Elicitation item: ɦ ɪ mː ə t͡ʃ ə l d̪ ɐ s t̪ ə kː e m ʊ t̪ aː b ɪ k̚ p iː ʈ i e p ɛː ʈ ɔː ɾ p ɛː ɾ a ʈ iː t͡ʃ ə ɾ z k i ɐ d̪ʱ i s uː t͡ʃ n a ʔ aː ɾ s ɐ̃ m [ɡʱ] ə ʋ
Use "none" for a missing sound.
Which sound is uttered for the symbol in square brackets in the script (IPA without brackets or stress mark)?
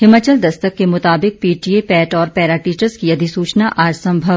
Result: bʱ